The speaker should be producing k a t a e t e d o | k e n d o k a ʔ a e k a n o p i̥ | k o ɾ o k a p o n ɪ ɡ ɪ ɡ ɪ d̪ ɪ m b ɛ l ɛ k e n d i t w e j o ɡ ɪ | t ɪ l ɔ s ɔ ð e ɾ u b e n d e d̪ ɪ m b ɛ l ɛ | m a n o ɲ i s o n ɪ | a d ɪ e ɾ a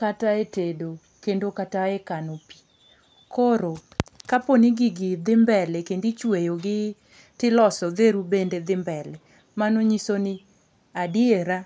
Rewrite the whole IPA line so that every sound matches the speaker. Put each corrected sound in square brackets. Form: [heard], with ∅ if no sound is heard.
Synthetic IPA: k a t a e t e d o | k e n d o k a [t] a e k a n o p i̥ | k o ɾ o k a p o n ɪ ɡ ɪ ɡ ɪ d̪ ɪ m b ɛ l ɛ k e n d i [t͡ʃ] w e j o ɡ ɪ | t ɪ l ɔ s ɔ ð e ɾ u b e n d e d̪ ɪ m b ɛ l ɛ | m a n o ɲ i s o n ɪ | a d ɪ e ɾ a